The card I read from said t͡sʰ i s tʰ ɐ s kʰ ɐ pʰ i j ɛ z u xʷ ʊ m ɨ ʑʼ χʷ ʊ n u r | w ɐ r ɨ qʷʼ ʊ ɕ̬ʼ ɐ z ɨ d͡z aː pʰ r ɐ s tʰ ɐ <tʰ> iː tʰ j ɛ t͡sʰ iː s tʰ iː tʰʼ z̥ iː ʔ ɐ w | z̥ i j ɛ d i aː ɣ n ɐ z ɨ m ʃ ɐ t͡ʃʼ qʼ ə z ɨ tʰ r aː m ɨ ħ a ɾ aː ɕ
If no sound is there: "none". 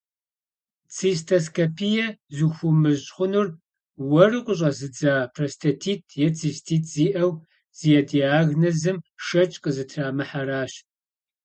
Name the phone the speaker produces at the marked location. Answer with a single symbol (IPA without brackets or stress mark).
tʰ